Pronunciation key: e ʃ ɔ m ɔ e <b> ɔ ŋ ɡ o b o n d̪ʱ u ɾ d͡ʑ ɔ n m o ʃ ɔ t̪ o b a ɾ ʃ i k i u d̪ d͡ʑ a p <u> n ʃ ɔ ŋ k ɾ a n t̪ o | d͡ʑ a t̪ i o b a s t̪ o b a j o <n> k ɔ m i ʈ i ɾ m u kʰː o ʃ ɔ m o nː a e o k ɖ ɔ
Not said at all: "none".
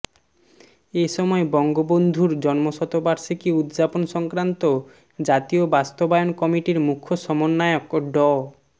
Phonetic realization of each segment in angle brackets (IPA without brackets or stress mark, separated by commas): b, o, n